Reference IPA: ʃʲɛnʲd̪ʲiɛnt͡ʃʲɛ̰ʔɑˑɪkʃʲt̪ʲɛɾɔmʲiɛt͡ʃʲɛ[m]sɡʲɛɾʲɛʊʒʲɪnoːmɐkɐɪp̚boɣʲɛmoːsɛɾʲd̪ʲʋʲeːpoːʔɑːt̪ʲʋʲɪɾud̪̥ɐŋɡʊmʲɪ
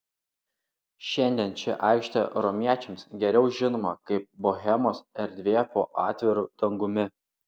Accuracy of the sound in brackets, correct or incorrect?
correct